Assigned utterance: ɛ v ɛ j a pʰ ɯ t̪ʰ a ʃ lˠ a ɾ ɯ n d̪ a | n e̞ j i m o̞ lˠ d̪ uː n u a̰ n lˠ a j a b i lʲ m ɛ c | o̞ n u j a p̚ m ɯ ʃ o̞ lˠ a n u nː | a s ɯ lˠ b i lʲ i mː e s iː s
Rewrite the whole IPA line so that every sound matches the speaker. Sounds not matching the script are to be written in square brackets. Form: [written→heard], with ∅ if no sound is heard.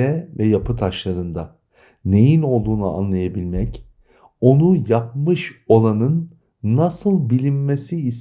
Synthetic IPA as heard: ɛ v ɛ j a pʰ ɯ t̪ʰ a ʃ lˠ a ɾ ɯ n d̪ a | n e̞ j i [m→n] o̞ lˠ d̪ uː n u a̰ n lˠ a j a b i lʲ m ɛ c | o̞ n u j a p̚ m ɯ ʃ o̞ lˠ a n [u→ɯ] nː | a s ɯ lˠ b i lʲ i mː e s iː s

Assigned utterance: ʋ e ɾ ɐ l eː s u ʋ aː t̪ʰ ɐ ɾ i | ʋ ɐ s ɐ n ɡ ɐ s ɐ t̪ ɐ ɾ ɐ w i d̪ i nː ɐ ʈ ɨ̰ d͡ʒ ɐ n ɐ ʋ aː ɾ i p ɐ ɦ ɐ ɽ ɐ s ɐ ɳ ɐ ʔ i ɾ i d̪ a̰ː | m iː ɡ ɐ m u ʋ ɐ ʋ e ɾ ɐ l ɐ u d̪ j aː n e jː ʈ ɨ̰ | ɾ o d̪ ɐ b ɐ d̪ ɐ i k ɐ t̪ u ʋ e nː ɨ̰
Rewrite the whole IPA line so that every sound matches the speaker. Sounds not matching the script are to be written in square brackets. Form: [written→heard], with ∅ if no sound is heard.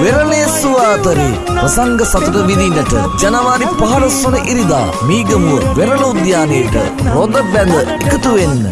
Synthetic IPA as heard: ʋ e ɾ ɐ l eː s u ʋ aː [t̪ʰ→t̪] ɐ ɾ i | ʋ ɐ s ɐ [n→ŋ] ɡ ɐ s ɐ t̪ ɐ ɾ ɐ [w→ʋ] i d̪ i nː ɐ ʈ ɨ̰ d͡ʒ ɐ n ɐ ʋ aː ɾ i p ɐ ɦ ɐ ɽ ɐ s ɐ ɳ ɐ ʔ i ɾ i d̪ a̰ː | m iː ɡ ɐ m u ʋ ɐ ʋ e ɾ ɐ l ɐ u d̪ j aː n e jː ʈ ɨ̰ | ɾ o d̪ ɐ b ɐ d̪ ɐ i k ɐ t̪ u ʋ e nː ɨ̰

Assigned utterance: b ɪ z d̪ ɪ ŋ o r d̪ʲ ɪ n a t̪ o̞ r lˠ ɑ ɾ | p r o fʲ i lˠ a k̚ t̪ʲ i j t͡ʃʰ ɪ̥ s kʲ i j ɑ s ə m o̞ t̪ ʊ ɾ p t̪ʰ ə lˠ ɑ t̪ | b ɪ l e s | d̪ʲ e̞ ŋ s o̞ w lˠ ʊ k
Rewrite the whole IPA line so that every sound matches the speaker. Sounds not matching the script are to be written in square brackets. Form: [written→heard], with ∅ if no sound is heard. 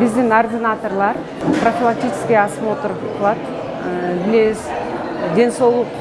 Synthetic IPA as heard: b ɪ z d̪ ɪ ŋ o r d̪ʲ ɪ n a t̪ o̞ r lˠ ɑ ɾ | p r o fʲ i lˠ a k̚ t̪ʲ i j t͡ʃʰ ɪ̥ s kʲ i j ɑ s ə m o̞ t̪ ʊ ɾ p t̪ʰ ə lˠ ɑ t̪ | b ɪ l e s | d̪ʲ e̞ [ŋ→n] s o̞ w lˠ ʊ [k→q]

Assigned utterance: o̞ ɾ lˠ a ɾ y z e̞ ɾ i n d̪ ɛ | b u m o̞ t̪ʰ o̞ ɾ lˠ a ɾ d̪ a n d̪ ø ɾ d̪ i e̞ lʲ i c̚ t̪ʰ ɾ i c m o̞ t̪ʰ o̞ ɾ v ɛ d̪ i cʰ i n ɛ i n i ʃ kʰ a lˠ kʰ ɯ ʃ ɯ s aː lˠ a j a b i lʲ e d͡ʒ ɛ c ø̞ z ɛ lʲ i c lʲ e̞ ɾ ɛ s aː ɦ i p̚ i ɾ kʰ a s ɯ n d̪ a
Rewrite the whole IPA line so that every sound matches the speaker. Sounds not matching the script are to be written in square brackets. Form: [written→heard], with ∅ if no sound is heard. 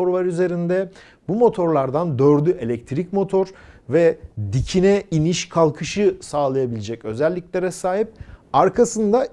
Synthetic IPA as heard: o̞ ɾ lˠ a ɾ y z e̞ ɾ i n d̪ ɛ | b u m o̞ t̪ʰ o̞ ɾ lˠ a ɾ d̪ a n d̪ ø ɾ d̪ [i→y] e̞ lʲ [i→ɛ] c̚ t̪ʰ ɾ i c m o̞ t̪ʰ o̞ ɾ v ɛ d̪ i cʰ i n ɛ i n i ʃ kʰ a lˠ kʰ ɯ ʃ ɯ s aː lˠ a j a b i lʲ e d͡ʒ ɛ c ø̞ z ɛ [lʲ→lʲː] i c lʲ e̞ ɾ ɛ s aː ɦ i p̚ [i→a] ɾ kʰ a s ɯ n d̪ a

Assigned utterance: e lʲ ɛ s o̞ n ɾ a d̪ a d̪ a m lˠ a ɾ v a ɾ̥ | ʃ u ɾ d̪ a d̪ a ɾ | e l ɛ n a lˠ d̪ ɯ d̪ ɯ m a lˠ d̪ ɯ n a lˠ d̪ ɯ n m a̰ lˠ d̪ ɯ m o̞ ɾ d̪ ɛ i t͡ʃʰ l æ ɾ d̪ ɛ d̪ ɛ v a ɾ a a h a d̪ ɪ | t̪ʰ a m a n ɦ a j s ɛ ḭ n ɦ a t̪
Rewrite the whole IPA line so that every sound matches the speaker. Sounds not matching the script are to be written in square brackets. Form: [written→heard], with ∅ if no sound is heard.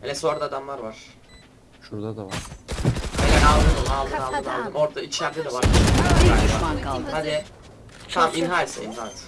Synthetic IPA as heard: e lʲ ɛ s o̞ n ɾ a d̪ a d̪ a m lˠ a ɾ v a ɾ̥ | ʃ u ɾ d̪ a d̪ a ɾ | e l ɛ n a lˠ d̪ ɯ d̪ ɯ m a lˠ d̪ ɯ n a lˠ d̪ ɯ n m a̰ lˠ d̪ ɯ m o̞ ɾ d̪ [ɛ→a] i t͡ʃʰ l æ ɾ d̪ ɛ d̪ ɛ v a ɾ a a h a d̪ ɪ | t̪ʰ a m [a→i] n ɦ a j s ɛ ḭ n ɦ a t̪

